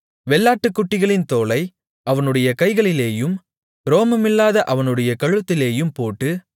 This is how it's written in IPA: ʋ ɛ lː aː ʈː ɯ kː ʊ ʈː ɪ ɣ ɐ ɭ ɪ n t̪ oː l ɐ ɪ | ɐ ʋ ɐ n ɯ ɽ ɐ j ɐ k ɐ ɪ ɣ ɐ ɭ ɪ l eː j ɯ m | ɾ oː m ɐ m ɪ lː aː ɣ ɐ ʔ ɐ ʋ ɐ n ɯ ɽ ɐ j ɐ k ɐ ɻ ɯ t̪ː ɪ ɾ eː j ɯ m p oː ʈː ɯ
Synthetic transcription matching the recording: ʋ ɛ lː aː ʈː ɯ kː ʊ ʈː ɪ ɣ ɐ ɭ ɪ n t̪ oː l ɐ ɪ | ɐ ʋ ɐ n ɯ ɽ ɐ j ɐ k ɐ ɪ ɣ ɐ ɭ ɪ l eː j ɯ m | ɾ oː m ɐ m ɪ lː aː ð ɐ ʔ ɐ ʋ ɐ n ɯ ɽ ɐ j ɐ k ɐ ɻ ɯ t̪ː ɪ l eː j ɯ m p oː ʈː ɯ